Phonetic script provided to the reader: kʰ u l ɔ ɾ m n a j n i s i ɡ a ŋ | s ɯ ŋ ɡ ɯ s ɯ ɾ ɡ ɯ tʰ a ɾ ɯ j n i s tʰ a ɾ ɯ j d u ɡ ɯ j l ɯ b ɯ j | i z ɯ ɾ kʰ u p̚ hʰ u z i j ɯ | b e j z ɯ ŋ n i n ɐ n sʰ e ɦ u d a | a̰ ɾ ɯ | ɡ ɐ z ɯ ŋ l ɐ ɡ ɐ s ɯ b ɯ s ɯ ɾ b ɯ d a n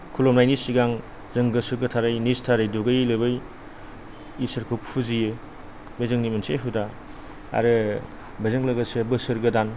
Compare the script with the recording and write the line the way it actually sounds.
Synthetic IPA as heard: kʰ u l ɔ m n a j n i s i ɡ a ŋ | z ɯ ŋ ɡ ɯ s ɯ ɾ ɡ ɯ tʰ a ɾ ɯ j n i s tʰ a ɾ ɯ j d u ɡ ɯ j l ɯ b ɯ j | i s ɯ ɾ kʰ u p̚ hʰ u z i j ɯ | b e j z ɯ ŋ n i m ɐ n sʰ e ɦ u d a | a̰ ɾ ɯ | b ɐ z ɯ ŋ l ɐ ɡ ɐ s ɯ b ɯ s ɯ ɾ ɡ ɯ d a n